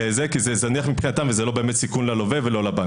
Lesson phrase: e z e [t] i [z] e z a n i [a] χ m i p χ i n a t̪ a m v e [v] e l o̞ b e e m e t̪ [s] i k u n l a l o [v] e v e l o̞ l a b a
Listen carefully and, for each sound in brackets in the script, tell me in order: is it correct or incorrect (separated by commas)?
incorrect, correct, correct, incorrect, correct, correct